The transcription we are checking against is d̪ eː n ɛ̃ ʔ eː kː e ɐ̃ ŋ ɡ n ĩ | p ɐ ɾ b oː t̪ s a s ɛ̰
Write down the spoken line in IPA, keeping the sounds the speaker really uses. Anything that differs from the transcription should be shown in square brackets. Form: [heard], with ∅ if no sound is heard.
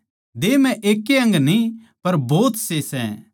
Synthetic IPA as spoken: d̪ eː [m] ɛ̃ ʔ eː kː e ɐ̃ ŋ ɡ n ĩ | p ɐ ɾ b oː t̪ s [e] s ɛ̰